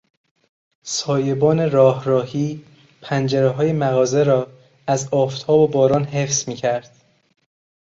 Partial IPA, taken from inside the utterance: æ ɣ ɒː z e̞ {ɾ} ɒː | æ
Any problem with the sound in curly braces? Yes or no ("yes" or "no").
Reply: no